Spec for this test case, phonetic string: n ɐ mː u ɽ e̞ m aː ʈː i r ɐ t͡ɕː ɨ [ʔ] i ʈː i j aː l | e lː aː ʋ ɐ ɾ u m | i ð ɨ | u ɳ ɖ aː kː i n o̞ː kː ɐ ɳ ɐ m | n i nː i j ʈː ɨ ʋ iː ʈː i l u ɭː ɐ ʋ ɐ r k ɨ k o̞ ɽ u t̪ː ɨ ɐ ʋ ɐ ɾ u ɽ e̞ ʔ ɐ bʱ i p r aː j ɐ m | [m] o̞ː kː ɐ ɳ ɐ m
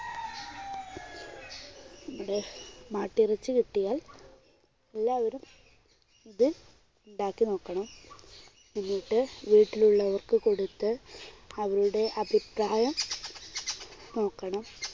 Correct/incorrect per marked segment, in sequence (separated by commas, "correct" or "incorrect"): incorrect, incorrect